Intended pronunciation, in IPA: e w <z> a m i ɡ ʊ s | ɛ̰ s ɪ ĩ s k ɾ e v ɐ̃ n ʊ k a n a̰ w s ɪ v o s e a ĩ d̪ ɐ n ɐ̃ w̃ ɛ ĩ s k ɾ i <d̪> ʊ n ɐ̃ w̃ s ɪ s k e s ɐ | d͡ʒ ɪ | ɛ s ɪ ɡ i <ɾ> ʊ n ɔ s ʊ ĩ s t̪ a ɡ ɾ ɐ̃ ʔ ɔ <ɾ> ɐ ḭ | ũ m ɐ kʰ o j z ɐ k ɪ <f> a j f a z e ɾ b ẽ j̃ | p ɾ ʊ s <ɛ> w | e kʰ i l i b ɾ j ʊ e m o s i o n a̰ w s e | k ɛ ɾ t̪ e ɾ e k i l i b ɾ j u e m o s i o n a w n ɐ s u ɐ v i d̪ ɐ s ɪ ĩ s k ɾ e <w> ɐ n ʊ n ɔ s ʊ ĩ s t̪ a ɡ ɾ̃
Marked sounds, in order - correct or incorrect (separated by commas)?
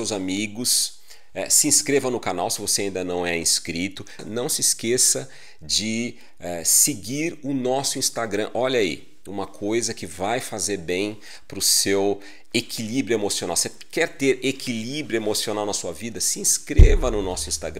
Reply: correct, incorrect, correct, incorrect, incorrect, incorrect, incorrect